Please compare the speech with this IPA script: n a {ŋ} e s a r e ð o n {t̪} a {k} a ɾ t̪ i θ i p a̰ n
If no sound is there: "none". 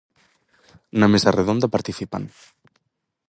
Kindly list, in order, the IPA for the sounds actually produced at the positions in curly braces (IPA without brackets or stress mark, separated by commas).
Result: m, d̪, p